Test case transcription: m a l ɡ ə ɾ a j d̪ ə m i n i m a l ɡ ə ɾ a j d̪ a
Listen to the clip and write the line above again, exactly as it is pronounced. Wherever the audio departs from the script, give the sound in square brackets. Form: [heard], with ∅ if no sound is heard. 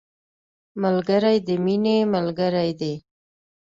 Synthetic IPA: m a l ɡ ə ɾ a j d̪ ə m i n [e] m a l ɡ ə ɾ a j d̪ [e]